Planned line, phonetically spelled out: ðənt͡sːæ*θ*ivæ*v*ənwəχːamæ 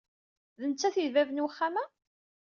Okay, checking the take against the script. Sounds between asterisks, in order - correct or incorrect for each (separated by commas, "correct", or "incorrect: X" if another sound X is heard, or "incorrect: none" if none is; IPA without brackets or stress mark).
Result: correct, correct